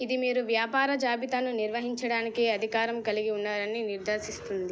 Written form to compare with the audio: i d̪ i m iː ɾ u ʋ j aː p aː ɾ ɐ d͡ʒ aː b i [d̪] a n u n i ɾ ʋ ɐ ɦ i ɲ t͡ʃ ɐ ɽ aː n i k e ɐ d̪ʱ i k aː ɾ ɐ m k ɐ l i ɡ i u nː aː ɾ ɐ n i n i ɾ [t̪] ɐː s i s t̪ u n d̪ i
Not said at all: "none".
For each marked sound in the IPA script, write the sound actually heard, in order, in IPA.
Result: t̪, d̪

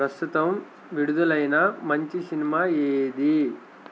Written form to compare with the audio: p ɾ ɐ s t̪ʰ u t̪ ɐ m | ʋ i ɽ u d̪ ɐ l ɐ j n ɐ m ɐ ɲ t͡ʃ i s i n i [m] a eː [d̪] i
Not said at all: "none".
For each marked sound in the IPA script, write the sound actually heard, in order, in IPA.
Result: m, d̪

